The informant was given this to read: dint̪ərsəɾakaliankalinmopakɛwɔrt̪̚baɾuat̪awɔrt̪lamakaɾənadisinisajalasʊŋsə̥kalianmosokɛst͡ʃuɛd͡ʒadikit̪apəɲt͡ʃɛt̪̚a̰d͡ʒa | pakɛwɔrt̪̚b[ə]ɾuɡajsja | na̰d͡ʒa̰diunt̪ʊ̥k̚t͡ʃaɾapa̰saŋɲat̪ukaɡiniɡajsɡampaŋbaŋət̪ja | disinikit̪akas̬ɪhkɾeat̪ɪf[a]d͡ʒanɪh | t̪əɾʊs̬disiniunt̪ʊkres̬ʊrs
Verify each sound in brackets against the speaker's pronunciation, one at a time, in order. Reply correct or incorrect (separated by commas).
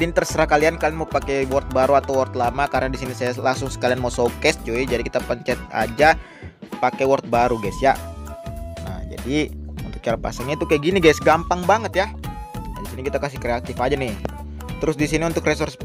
incorrect, correct